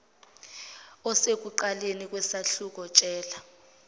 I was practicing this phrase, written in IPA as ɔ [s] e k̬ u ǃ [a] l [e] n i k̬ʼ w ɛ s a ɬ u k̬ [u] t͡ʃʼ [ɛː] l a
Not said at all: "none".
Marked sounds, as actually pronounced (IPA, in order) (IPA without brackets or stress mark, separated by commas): s, a, e, ɔ, ɛː